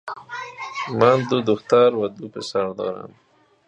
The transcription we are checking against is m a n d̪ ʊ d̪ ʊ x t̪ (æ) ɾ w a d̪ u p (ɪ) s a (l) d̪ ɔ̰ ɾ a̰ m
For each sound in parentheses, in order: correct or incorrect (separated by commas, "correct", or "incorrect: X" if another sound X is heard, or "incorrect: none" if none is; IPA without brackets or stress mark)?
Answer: incorrect: a, correct, incorrect: ɾ